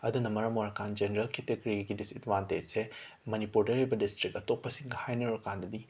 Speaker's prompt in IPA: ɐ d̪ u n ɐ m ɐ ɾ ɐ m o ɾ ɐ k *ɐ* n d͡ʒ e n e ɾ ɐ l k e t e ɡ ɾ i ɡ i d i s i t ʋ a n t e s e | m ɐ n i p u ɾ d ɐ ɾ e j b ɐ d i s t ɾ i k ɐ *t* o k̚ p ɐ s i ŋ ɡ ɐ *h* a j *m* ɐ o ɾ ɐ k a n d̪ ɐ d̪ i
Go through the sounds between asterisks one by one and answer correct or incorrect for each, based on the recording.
incorrect: a, correct, correct, incorrect: n

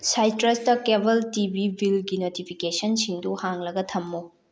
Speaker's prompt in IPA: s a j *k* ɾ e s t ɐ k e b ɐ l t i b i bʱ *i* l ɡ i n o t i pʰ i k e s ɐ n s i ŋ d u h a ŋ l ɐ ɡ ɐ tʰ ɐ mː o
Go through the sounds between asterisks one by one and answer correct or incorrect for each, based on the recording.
incorrect: t, correct

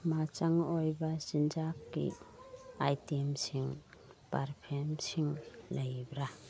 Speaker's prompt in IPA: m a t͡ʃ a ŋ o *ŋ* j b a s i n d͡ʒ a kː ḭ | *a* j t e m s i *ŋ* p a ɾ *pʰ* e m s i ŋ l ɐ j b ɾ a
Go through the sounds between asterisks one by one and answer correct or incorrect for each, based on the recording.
incorrect: none, correct, correct, correct

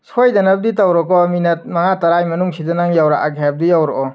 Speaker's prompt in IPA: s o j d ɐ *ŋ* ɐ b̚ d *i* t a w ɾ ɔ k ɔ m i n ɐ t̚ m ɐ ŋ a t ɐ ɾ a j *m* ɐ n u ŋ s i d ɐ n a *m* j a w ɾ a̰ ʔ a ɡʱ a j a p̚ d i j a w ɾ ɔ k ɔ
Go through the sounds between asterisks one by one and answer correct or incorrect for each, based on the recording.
incorrect: n, correct, correct, incorrect: ŋ

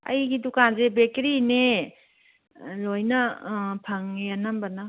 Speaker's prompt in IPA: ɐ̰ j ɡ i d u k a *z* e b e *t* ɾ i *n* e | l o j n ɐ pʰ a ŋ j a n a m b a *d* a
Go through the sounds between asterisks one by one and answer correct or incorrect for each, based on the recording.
correct, incorrect: k, correct, incorrect: n

